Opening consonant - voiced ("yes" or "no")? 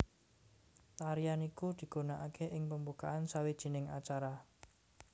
no